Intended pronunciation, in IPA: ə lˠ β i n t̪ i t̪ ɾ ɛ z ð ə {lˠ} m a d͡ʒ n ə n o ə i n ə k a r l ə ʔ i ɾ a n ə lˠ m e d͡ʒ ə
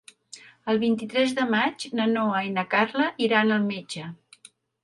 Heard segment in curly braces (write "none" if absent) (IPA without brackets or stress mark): none